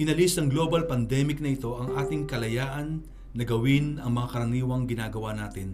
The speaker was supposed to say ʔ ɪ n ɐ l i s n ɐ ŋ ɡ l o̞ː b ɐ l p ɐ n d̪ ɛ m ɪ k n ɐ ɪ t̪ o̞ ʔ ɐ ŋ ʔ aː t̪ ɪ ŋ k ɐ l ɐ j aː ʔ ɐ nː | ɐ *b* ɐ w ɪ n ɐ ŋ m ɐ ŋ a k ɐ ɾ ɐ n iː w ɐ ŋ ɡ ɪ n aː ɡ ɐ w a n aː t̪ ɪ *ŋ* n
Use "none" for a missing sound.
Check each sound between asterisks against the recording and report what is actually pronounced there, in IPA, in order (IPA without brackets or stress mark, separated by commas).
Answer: ɡ, none